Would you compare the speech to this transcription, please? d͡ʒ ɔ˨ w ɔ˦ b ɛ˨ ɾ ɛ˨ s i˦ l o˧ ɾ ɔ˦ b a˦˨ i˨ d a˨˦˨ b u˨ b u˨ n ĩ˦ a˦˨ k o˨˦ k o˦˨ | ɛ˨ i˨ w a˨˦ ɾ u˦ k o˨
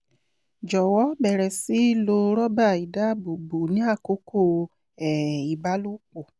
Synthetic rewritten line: d͡ʒ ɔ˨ w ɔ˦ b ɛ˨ ɾ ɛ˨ s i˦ l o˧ ɾ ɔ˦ b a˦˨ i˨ d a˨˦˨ b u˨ b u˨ n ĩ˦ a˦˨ k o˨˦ k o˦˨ | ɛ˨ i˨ b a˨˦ l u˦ k͡p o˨

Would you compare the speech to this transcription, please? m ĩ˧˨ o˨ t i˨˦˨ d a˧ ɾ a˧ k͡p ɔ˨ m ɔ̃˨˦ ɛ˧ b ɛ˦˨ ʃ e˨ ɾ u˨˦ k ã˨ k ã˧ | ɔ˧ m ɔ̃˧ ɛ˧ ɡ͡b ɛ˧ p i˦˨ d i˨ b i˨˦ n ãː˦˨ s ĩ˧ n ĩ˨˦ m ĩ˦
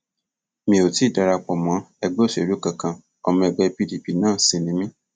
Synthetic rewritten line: m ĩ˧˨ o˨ t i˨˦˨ d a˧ ɾ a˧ k͡p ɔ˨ m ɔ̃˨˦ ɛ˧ ɡ͡b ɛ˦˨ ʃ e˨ ɾ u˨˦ k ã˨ k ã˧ | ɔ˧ m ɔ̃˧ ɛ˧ ɡ͡b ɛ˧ p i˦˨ d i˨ p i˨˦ n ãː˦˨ s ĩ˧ n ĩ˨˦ m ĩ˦

